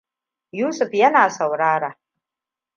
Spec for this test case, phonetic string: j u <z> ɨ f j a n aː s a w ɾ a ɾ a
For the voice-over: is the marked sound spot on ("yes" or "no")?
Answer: no